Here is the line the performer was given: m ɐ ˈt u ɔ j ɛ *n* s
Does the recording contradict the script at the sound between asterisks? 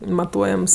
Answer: yes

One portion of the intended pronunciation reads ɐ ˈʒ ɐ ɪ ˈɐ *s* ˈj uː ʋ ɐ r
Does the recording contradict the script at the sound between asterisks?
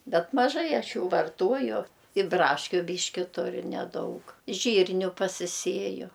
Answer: yes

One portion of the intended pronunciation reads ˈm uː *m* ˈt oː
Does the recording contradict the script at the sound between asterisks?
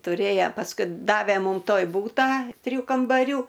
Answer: no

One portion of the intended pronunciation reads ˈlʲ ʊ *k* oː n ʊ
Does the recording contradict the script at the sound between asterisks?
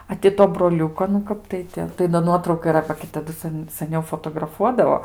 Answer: no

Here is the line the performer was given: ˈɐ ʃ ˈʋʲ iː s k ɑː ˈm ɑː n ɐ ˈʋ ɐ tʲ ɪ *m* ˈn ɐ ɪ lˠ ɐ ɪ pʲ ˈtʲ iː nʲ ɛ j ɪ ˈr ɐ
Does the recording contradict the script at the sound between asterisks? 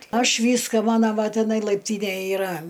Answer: yes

